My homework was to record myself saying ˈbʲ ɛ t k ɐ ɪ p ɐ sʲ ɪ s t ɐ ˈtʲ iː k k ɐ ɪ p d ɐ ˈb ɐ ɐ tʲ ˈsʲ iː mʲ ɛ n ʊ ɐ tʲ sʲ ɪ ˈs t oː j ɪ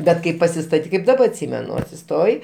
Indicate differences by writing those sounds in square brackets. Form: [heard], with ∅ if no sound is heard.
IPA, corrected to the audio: ˈbʲ ɛ t k ɐ ɪ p ɐ sʲ ɪ s t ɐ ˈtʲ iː k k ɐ ɪ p d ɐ ˈb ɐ ɐ tʲ ˈsʲ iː mʲ ɛ n ʊ ɐ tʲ sʲ ɪ ˈs t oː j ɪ